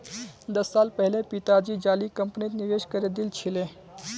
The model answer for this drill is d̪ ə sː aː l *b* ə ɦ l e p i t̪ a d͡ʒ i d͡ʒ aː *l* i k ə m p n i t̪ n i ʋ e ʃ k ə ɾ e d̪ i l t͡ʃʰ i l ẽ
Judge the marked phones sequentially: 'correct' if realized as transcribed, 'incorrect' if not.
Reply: incorrect, correct

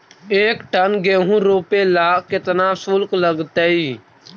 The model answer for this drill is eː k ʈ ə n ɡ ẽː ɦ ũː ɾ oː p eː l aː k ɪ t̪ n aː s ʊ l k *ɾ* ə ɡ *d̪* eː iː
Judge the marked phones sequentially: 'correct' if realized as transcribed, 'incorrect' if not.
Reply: incorrect, incorrect

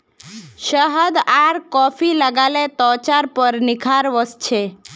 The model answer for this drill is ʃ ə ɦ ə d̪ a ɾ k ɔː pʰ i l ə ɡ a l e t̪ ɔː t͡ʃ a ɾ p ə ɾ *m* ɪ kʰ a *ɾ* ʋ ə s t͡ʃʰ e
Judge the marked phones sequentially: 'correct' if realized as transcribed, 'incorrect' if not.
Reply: incorrect, correct

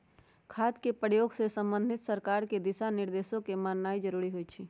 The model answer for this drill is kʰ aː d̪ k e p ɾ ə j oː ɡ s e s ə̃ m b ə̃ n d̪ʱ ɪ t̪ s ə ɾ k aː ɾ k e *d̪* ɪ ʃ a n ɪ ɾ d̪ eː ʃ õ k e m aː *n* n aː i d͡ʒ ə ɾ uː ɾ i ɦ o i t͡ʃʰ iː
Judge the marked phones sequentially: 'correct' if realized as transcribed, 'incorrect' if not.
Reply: correct, correct

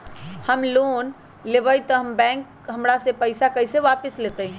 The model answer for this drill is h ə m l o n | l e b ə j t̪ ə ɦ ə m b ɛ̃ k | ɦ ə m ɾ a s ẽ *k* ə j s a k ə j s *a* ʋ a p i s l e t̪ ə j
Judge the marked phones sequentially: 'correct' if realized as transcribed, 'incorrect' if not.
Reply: incorrect, incorrect

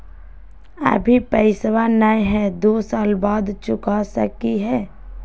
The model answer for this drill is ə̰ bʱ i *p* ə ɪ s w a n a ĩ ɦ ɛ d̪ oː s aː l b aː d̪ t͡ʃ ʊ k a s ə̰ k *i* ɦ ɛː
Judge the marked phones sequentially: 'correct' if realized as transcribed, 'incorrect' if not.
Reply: correct, correct

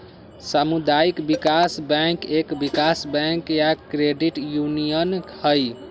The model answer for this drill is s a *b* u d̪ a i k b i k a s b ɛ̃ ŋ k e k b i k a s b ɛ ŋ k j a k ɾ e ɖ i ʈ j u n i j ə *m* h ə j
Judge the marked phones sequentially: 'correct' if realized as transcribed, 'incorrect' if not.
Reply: incorrect, incorrect

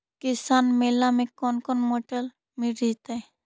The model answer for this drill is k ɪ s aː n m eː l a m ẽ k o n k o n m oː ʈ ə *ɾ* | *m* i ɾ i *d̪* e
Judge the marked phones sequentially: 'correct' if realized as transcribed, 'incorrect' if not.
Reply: incorrect, correct, incorrect

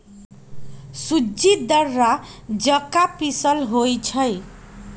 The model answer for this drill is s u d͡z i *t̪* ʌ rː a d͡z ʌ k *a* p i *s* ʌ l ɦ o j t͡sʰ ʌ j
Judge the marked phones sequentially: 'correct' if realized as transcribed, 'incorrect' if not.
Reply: incorrect, correct, correct

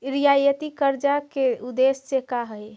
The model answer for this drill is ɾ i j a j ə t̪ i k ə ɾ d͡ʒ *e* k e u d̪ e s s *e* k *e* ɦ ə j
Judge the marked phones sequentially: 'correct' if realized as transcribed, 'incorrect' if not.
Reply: incorrect, correct, incorrect

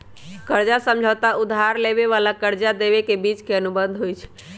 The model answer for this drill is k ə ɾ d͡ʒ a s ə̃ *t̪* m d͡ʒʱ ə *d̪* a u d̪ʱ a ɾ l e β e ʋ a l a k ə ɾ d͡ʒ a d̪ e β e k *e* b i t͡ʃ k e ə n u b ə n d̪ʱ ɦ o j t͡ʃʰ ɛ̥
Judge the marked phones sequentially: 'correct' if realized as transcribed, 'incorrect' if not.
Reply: incorrect, incorrect, correct

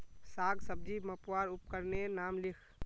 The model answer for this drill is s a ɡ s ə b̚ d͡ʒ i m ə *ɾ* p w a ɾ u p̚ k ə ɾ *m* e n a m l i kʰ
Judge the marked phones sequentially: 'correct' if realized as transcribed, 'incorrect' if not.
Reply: incorrect, incorrect

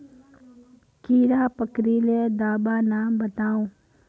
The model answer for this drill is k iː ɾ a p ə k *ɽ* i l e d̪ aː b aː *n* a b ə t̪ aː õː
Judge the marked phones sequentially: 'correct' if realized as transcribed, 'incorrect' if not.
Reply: incorrect, correct

